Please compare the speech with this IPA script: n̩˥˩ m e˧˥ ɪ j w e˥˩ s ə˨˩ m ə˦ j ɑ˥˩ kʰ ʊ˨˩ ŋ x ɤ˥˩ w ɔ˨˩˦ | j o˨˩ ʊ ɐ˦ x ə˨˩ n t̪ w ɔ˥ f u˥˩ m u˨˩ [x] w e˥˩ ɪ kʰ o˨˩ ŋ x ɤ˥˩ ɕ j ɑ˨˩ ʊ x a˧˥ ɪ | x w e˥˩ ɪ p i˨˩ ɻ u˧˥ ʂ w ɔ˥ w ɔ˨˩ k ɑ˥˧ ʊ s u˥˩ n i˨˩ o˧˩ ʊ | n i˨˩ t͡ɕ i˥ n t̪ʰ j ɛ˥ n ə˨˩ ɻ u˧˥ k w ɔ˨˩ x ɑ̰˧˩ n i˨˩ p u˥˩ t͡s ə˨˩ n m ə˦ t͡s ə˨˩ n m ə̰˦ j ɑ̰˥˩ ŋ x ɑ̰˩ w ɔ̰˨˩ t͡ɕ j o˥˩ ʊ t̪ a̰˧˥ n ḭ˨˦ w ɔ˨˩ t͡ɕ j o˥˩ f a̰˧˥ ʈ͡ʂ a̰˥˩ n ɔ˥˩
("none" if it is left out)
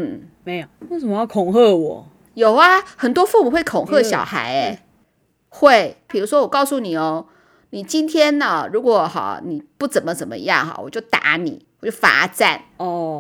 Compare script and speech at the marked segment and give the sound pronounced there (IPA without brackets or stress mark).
x